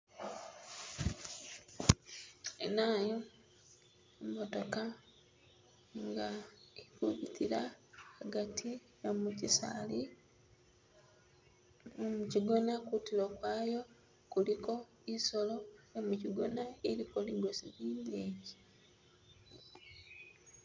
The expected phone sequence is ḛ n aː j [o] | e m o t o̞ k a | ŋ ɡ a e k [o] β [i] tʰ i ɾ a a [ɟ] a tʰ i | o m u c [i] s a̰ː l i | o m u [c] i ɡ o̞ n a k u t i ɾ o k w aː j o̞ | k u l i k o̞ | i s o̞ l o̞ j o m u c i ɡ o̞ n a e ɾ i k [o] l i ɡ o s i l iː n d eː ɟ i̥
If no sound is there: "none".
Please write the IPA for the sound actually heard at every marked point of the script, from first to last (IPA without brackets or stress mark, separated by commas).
o, u, i, ɡ, i, c, o